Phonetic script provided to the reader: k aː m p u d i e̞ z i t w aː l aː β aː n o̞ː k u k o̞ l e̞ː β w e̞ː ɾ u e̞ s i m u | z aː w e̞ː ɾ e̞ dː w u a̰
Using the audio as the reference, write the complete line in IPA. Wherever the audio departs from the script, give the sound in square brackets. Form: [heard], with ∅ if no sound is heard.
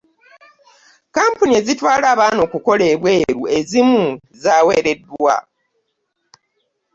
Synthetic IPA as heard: k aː m p u [n] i e̞ z i t w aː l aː β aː n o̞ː k u k o̞ l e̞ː β w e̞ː ɾ u e̞ [z] i m u | z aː w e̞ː ɾ e̞ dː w [w] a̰